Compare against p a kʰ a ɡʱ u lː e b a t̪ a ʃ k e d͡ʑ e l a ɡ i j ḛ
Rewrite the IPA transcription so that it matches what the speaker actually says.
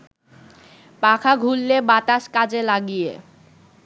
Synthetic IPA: p a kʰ a ɡʱ u lː e b a t̪ a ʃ k a d͡ʑ e l a ɡ i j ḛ